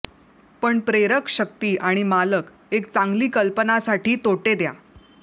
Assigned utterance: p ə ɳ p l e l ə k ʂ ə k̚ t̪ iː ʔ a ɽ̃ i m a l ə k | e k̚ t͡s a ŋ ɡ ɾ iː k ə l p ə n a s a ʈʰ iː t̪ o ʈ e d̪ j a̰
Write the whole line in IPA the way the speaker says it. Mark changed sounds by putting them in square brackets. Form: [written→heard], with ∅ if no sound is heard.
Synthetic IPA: p ə ɳ p [l→ɾ] e [l→ɾ] ə k [ʂ→ɕ] ə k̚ t̪ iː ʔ a ɽ̃ i m a l ə k | e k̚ t͡s a ŋ ɡ [ɾ→l] iː k ə l p ə n a s a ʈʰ iː t̪ o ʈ e d̪ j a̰